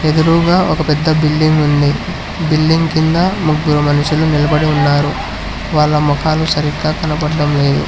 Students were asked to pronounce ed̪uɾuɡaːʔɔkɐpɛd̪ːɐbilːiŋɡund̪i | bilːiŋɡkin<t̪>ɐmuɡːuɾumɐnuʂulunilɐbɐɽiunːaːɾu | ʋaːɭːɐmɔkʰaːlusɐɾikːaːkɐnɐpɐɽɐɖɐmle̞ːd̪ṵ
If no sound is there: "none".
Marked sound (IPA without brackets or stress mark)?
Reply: d̪